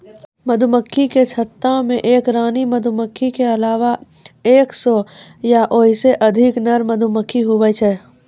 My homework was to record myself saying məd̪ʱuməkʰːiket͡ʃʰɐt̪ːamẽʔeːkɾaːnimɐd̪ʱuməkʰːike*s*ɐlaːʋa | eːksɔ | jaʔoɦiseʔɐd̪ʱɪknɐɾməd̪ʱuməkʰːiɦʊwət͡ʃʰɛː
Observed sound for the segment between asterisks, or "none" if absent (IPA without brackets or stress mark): none